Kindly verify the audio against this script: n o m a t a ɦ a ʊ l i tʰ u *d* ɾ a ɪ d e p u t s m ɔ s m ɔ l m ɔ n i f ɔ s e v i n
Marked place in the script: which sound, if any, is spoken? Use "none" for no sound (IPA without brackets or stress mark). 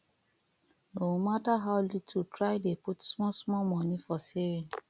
t